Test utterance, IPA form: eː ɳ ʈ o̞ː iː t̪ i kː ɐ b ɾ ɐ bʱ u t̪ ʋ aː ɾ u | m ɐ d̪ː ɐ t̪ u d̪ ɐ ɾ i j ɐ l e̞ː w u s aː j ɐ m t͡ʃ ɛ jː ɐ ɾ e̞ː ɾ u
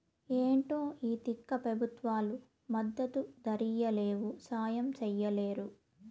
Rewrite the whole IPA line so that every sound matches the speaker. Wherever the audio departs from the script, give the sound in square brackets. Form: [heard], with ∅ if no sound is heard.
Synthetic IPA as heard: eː ɳ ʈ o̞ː iː t̪ i kː ɐ [p] ɾ ɐ bʱ u t̪ ʋ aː [l] u | m ɐ d̪ː ɐ t̪ u d̪ ɐ ɾ i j ɐ l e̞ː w u s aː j ɐ m t͡ʃ ɛ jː ɐ [l] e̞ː ɾ u